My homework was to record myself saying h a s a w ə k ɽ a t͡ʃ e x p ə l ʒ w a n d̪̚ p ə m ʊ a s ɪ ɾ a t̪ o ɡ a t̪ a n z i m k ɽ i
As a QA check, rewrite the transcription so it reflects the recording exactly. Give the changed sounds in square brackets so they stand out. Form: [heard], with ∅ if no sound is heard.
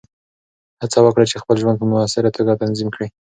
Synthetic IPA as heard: h a [t͡s] a w ə k ɽ a t͡ʃ e x p ə l ʒ w a n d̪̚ p ə m ʊ a s ɪ ɾ a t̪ o ɡ a t̪ a n z i m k ɽ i